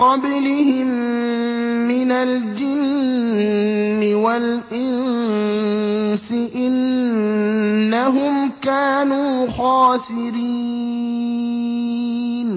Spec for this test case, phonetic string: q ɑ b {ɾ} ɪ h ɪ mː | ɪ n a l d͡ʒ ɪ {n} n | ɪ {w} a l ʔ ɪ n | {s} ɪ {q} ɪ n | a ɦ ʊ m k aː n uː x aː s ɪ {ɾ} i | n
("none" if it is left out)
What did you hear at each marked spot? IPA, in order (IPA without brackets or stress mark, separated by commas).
l, n, w, s, ʔ, ɾ